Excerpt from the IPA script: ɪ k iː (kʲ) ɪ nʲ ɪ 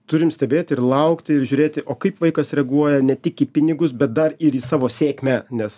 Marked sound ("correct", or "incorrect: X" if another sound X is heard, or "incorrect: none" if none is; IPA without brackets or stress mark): incorrect: pʲ